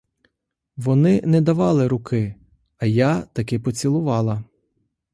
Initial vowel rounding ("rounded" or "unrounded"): rounded